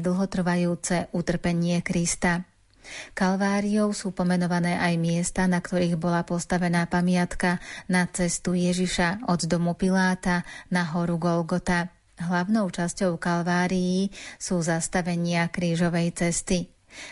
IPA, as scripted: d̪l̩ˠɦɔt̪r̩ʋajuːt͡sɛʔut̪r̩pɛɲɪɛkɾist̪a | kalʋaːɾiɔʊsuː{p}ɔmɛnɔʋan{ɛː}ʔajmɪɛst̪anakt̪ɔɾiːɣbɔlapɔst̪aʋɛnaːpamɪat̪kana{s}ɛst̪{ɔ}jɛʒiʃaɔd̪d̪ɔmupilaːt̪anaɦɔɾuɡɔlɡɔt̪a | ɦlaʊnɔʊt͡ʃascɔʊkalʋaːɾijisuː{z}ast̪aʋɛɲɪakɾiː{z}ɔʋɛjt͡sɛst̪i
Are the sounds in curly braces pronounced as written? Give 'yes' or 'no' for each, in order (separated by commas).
yes, yes, no, no, yes, no